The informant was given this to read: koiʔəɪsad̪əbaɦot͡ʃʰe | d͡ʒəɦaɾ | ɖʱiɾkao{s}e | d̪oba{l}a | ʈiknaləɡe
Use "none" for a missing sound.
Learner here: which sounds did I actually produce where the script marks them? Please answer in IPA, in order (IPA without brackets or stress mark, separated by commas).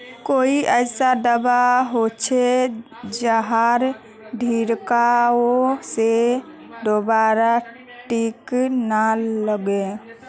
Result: s, ɾ